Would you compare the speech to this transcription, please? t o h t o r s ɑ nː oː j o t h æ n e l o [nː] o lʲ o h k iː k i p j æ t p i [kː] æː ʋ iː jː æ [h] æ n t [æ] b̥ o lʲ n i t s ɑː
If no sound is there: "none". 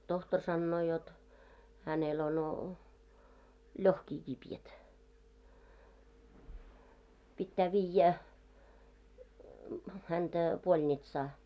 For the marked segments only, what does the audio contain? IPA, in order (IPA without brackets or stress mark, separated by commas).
n, tː, h, æ